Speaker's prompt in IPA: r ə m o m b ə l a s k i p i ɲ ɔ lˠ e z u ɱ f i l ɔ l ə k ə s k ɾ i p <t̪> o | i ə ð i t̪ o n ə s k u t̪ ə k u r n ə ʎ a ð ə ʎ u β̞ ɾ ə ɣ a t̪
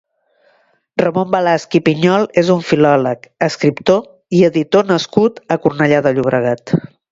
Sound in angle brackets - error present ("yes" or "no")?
no